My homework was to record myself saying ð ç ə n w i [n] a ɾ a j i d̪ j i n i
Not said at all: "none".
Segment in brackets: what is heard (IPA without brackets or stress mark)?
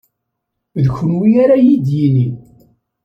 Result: none